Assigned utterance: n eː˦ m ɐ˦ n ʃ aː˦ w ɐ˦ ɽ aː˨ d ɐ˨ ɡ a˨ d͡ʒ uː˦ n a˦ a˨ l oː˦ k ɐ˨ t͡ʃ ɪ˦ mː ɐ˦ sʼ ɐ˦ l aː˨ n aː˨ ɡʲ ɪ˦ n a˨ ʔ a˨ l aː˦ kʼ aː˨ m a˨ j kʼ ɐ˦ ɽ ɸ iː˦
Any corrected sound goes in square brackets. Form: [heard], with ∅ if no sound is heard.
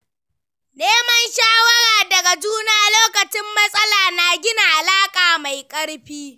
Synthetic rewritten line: n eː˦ m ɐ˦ n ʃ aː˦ w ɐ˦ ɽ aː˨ d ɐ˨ ɡ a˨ d͡ʒ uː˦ n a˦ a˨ l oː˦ k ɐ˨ t͡ʃ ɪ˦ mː ɐ˦ sʼ ɐ˦ l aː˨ n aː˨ ɡʲ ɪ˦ n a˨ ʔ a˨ l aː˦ kʼ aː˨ m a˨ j kʼ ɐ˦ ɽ ɸ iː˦